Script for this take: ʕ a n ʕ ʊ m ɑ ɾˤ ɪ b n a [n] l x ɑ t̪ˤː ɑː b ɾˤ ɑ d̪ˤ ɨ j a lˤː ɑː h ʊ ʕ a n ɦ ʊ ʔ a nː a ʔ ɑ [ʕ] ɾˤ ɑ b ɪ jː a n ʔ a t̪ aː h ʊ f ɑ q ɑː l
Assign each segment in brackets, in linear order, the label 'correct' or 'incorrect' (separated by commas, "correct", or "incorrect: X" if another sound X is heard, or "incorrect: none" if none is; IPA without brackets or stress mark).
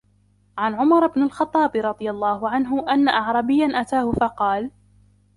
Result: incorrect: none, correct